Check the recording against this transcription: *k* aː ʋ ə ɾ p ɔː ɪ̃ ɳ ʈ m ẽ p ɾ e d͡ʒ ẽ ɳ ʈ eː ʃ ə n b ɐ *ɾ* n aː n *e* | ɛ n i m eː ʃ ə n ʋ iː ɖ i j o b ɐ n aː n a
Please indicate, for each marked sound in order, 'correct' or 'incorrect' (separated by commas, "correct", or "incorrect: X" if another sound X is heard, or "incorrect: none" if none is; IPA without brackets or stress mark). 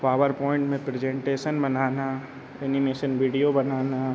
incorrect: p, incorrect: none, incorrect: a